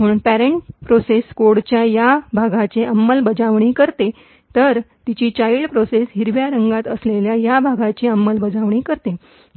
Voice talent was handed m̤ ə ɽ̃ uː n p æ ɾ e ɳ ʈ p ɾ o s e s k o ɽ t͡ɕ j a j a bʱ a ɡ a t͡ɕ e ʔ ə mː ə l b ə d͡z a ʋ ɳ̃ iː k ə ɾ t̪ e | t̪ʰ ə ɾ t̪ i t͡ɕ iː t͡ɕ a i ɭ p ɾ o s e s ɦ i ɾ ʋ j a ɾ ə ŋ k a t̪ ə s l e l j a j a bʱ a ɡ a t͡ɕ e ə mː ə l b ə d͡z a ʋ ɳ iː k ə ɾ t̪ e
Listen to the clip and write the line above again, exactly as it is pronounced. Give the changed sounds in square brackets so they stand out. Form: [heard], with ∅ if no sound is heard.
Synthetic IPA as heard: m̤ ə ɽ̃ uː n p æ ɾ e ɳ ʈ p ɾ o s e s k o ɽ t͡ɕ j a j a bʱ a ɡ a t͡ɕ e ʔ ə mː ə l b ə d͡z a ʋ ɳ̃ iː k ə ɾ t̪ e | [t̪] ə ɾ t̪ i t͡ɕ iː t͡ɕ a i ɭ p ɾ o s e s ɦ i ɾ ʋ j a ɾ ə ŋ [ɡ] a t̪ ə s l e l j a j a bʱ a ɡ a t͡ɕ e ə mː ə l b ə d͡z a ʋ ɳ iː k ə ɾ t̪ e

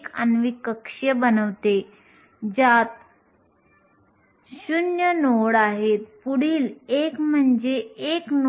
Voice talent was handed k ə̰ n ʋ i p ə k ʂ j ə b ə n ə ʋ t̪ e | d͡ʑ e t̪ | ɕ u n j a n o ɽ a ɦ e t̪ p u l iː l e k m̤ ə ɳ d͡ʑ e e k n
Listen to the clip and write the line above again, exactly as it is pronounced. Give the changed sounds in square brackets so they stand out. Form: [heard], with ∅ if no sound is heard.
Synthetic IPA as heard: k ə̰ n ʋ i [k] ə k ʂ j ə b ə n ə ʋ t̪ e | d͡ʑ [a] t̪ | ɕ u n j [ə] n o ɽ a ɦ e t̪ p u [ɽ] iː l e k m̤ ə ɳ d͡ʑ e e k n

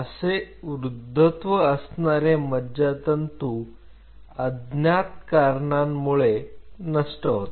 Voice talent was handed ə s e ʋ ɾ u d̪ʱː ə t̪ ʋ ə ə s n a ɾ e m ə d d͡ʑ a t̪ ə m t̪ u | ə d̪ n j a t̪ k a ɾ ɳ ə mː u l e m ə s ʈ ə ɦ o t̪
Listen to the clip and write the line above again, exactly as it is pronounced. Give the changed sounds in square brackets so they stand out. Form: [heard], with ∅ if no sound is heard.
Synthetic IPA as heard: ə s e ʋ ɾ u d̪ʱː ə t̪ ʋ ə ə s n a ɾ e m ə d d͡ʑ a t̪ ə [n] t̪ u | ə d̪ n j a t̪ k a ɾ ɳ [a] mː u [ɭ] e [n] ə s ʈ ə ɦ o t̪

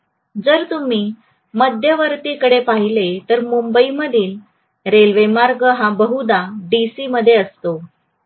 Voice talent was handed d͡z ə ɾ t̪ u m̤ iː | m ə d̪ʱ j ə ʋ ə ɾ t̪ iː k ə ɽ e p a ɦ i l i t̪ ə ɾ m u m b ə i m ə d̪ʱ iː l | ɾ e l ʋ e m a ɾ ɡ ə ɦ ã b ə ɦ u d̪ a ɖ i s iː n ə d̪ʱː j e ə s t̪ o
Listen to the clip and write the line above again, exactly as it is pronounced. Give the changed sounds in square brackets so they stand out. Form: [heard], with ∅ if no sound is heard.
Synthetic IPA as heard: d͡z ə ɾ t̪ u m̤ iː | m ə d̪ʱ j ə ʋ ə ɾ t̪ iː k ə ɽ e p a ɦ i l [e] t̪ ə ɾ m u m b ə i m ə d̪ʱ iː l | ɾ e l ʋ e m a ɾ ɡ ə ɦ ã b ə ɦ u d̪ a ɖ i s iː [m] ə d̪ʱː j e ə s t̪ o

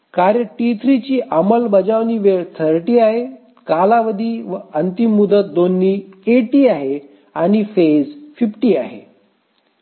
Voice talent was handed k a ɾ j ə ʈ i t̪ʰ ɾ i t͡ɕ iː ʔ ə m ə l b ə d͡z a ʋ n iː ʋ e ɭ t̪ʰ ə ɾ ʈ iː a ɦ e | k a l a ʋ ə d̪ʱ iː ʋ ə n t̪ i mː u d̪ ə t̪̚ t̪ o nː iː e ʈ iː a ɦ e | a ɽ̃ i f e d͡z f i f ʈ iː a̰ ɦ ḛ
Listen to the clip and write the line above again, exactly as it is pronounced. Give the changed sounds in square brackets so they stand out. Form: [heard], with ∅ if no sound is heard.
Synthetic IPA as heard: k a ɾ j ə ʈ i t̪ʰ ɾ i t͡ɕ iː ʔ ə m ə l b ə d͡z a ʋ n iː ʋ e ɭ t̪ʰ ə ɾ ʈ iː a ɦ e | k a l a ʋ ə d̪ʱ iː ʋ ə n t̪ i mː u d̪ ə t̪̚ [d̪] o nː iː e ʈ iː a ɦ e | a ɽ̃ i f e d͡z f i f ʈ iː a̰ ɦ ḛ

